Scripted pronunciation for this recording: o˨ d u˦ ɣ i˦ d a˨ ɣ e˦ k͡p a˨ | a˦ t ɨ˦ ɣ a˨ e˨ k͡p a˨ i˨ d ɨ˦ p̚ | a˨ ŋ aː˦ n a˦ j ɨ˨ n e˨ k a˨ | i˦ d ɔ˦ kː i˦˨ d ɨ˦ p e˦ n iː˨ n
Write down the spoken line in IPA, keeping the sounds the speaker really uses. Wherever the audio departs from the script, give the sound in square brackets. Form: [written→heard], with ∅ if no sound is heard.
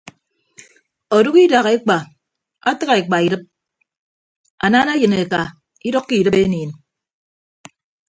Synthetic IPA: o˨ d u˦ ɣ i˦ d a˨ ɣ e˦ k͡p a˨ | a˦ t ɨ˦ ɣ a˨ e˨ k͡p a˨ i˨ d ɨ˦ p̚ | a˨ [ŋ→n] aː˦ n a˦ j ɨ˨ n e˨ k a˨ | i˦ d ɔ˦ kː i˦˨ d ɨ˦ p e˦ n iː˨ n